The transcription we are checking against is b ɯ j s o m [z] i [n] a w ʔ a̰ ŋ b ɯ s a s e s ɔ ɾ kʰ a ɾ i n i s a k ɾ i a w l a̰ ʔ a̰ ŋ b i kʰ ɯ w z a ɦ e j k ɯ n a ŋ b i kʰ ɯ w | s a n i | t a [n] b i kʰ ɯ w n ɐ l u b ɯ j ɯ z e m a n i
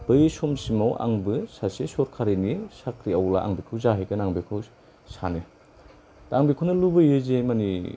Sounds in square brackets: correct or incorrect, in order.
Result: incorrect: s, incorrect: m, incorrect: ŋ

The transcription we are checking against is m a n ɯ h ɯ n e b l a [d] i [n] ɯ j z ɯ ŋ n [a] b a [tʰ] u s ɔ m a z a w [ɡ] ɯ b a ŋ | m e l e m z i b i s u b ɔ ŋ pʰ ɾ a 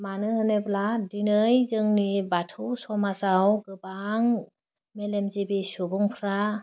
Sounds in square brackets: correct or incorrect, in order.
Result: correct, correct, incorrect: i, correct, correct

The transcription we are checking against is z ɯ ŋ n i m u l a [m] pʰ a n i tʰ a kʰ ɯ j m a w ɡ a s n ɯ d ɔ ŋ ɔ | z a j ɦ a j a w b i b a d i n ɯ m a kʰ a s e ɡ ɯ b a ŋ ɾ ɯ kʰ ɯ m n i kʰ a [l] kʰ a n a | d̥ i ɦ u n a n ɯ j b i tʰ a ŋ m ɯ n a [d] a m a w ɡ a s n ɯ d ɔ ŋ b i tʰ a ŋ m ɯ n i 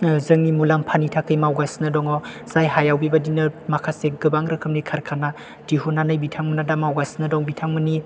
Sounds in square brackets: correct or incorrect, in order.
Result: correct, incorrect: ɾ, correct

